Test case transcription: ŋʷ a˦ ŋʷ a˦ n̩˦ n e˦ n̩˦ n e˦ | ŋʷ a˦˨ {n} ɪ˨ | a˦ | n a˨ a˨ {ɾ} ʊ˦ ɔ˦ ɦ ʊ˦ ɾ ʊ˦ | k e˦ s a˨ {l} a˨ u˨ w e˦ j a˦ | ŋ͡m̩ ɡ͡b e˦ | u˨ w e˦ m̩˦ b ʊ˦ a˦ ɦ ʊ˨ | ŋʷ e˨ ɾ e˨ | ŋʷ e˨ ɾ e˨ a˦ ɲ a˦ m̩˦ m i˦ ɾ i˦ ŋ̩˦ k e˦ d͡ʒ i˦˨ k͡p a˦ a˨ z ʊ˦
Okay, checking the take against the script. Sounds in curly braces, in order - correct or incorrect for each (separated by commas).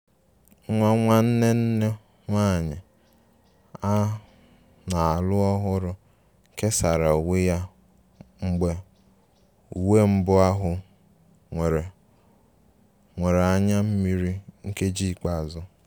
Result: incorrect, incorrect, incorrect